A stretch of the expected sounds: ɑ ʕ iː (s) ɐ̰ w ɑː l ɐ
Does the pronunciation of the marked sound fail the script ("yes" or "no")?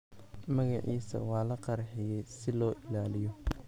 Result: no